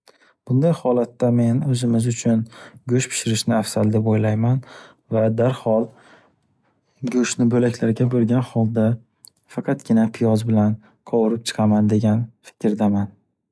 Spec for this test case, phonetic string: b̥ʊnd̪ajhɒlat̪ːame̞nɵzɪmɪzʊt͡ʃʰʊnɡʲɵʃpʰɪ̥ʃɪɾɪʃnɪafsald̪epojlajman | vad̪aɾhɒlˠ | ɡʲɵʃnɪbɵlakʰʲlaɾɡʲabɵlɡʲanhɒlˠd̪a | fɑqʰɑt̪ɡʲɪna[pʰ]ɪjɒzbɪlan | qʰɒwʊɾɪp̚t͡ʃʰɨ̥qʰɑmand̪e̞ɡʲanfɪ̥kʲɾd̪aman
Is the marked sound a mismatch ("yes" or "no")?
no